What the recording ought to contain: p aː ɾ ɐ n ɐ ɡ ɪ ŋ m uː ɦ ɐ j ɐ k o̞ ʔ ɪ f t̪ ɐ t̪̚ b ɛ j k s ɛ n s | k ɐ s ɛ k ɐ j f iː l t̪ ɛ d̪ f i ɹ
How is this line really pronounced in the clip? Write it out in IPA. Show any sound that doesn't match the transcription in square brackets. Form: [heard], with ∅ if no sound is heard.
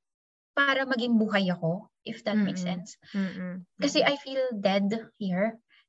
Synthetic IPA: p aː ɾ ɐ [m] ɐ ɡ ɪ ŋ [b] uː ɦ ɐ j ɐ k o̞ ʔ ɪ f [d̪] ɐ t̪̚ [m] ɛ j k s ɛ n s | k ɐ s ɛ [ʔ] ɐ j f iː l [d̪] ɛ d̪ [h] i ɹ